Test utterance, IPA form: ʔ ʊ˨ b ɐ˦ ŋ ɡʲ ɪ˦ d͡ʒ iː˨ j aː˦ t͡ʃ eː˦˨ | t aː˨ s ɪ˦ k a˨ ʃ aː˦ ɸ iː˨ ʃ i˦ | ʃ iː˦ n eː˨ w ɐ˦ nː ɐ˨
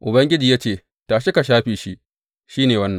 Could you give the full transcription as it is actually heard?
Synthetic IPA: ʔ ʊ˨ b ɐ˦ ŋ ɡʲ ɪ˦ d͡ʒ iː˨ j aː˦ t͡ʃ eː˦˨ | t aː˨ ʃ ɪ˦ k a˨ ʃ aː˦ ɸ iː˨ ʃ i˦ | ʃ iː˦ n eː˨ w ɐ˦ nː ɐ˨